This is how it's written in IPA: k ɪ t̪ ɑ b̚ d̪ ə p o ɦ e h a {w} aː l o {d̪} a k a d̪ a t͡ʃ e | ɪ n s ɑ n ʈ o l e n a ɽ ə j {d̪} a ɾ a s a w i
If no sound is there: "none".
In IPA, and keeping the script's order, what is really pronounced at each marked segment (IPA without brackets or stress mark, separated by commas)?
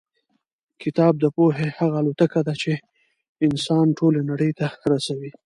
ɣ, t̪, t̪